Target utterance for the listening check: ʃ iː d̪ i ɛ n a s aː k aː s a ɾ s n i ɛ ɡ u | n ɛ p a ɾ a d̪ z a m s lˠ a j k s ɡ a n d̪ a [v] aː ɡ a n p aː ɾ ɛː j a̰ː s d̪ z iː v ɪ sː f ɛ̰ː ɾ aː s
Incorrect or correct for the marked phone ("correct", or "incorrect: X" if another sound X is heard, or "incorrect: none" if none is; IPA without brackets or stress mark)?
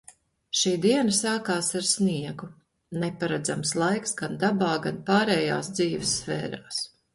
incorrect: b